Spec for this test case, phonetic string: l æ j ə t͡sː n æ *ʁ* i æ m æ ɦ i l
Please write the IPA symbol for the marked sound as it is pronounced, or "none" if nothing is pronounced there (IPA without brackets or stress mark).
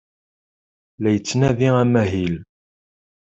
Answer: ð